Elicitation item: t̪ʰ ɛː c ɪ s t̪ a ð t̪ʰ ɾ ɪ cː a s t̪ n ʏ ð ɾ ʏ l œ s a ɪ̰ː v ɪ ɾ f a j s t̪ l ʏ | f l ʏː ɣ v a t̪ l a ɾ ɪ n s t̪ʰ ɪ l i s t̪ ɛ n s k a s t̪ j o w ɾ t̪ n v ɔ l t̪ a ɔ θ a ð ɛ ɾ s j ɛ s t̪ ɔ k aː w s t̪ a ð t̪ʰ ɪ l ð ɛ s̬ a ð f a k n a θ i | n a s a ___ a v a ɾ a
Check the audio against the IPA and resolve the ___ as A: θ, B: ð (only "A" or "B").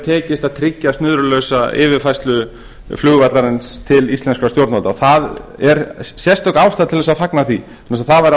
A